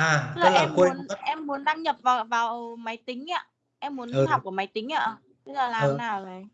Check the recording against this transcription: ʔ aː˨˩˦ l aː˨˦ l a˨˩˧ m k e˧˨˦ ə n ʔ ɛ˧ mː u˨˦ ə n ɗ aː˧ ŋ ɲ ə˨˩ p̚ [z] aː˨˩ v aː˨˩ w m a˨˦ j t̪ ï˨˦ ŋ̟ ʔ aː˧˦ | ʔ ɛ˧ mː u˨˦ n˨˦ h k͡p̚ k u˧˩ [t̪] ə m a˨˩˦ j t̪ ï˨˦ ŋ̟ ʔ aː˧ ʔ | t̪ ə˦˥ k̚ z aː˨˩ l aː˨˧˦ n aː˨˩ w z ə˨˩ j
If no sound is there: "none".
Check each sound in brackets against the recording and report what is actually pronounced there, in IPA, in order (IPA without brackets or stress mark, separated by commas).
v, none